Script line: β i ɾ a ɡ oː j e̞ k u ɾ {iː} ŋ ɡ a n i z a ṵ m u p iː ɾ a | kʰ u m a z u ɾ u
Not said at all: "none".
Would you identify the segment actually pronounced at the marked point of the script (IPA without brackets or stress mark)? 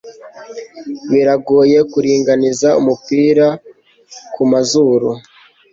iː